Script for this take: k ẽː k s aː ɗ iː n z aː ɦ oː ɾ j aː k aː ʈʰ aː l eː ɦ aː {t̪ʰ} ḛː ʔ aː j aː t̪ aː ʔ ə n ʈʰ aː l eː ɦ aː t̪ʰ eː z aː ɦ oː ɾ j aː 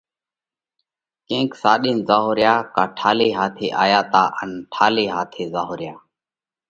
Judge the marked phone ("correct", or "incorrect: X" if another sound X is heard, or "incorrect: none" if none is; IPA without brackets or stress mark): correct